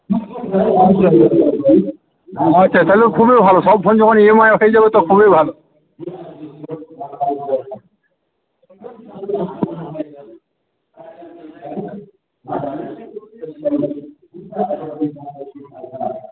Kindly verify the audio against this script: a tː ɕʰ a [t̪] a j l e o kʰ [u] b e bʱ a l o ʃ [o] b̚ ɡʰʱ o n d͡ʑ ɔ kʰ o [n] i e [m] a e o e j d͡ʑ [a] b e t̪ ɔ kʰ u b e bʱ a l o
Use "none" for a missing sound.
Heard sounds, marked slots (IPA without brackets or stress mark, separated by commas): t̪, u, ɔ, n, m, a